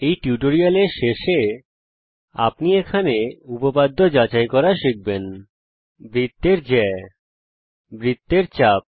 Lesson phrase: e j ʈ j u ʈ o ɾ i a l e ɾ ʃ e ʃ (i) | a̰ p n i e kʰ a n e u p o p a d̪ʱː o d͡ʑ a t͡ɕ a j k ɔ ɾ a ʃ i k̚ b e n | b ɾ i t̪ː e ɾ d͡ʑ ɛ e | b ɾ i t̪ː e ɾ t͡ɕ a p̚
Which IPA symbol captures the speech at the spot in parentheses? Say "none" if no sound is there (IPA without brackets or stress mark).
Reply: e